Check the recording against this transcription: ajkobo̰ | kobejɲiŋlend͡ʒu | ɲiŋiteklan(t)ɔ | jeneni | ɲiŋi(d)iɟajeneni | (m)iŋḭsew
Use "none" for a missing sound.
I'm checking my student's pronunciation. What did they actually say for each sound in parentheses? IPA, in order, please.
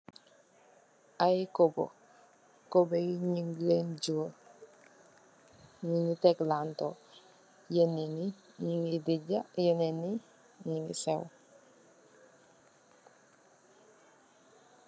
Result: t, d, ɲ

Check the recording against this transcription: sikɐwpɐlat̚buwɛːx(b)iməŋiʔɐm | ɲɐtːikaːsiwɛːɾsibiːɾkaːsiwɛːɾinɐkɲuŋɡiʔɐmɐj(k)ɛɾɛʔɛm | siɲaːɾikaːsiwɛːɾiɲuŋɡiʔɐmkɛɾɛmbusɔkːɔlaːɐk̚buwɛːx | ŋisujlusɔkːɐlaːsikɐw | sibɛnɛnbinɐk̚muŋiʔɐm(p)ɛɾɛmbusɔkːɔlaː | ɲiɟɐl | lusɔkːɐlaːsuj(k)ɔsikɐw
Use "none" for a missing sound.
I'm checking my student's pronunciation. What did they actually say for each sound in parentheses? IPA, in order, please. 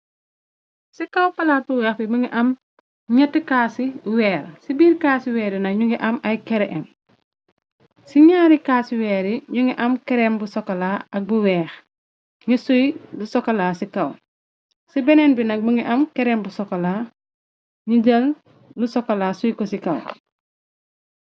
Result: b, k, k, k

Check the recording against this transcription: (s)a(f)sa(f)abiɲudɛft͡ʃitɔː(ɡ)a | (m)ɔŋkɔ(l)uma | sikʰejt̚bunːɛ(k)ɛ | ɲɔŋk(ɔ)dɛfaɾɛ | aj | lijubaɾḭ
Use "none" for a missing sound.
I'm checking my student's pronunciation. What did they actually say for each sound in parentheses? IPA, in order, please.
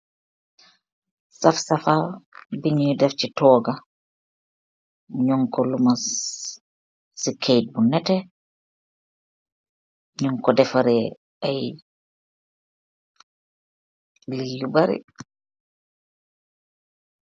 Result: s, f, f, ɡ, ɲ, l, t, ɔ

